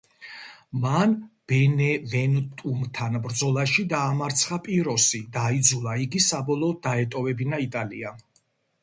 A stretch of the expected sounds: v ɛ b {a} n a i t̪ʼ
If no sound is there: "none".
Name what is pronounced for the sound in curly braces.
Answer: i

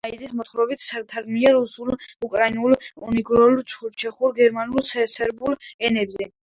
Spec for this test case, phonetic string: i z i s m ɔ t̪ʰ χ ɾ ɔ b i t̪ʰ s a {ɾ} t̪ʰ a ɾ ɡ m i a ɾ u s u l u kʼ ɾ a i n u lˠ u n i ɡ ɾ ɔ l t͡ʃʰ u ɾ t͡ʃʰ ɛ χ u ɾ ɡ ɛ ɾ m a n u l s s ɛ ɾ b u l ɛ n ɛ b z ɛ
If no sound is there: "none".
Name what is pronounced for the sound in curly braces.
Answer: ɾ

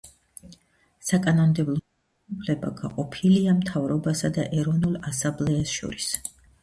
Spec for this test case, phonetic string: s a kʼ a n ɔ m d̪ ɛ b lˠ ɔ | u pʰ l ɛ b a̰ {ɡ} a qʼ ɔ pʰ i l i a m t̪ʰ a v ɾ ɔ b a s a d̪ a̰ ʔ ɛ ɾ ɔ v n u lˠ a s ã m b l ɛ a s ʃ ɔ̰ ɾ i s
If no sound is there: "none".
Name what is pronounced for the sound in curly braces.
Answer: ɡ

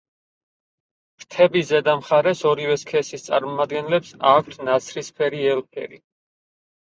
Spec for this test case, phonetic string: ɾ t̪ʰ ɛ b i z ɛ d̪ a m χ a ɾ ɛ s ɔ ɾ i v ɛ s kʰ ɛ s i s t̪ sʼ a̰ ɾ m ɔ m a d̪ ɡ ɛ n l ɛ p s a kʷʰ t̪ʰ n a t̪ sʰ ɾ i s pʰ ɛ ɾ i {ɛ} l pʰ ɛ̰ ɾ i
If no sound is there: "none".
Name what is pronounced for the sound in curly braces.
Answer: ɛ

